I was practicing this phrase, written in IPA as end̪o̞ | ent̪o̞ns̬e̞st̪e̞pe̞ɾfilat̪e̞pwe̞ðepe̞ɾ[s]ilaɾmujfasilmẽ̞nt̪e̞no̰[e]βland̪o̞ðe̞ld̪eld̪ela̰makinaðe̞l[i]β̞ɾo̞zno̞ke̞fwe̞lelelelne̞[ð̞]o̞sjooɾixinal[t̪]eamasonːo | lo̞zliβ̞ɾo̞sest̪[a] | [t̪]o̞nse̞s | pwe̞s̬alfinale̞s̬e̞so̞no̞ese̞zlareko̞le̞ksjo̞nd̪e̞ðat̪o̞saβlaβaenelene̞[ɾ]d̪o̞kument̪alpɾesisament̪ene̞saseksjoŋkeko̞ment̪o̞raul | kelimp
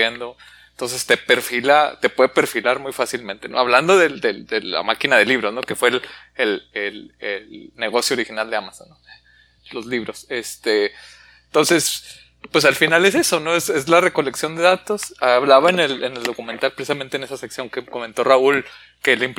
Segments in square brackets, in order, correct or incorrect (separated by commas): incorrect, incorrect, correct, incorrect, incorrect, incorrect, correct, incorrect